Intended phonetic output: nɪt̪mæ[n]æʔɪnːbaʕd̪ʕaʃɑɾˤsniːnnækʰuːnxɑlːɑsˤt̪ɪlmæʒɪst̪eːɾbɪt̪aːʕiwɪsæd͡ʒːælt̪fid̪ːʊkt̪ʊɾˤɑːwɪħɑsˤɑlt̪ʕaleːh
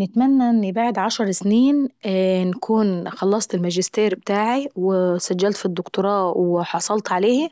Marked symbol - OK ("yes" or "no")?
no